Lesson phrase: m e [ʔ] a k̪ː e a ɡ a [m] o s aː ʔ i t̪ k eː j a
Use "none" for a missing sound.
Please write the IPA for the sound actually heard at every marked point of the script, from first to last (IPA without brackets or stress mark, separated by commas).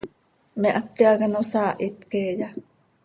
ʔ, n